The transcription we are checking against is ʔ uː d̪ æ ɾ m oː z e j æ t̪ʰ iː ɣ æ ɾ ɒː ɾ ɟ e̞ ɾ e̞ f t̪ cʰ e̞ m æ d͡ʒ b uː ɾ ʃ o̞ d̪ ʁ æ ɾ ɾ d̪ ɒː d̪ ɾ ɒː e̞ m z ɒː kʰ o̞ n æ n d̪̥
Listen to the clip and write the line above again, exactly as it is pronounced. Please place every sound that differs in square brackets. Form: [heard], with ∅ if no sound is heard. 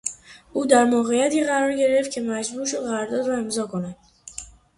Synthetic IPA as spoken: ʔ uː d̪ æ ɾ m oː [ɣ] e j æ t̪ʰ iː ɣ æ ɾ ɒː ɾ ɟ e̞ ɾ e̞ f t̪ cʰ e̞ m æ d͡ʒ b uː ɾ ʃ o̞ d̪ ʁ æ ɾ ɾ d̪ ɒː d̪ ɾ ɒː e̞ m z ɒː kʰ o̞ n æ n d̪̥